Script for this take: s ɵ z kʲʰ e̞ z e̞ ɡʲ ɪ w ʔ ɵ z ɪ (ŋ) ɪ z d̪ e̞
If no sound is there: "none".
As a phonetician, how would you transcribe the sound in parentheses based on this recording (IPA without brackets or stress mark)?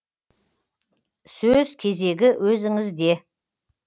ŋ